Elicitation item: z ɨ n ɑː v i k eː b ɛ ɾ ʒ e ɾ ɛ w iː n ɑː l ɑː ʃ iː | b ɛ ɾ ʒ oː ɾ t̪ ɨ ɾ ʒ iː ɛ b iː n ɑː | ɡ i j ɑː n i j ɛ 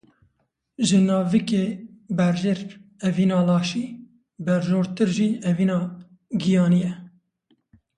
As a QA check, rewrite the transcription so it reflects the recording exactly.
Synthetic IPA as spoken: ʒ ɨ n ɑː v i k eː b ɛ ɾ ʒ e ɾ ɛ v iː n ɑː l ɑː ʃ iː | b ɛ ɾ ʒ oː ɾ t̪ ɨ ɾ ʒ iː ɛ v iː n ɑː | ɡ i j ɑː n i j ɛ